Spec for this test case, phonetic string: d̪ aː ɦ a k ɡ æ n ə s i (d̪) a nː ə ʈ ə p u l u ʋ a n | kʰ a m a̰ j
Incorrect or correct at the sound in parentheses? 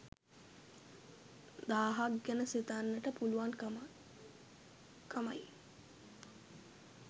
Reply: incorrect: t̪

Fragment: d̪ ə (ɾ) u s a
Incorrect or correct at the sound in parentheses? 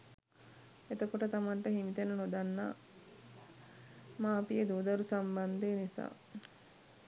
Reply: correct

